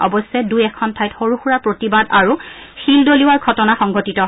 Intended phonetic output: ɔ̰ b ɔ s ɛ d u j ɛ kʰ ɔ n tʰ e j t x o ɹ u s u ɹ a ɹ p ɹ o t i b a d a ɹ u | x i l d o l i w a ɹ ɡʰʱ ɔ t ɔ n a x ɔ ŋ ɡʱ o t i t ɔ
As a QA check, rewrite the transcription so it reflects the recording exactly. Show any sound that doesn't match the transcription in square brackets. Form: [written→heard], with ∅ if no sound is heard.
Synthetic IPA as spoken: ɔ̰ b ɔ s ɛ d u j ɛ kʰ ɔ n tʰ [e→a] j t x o ɹ u [s→x] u ɹ a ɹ p ɹ o t i b a d a ɹ u | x i l d o l i w a ɹ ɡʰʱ ɔ t ɔ n a x ɔ ŋ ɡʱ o t i t ɔ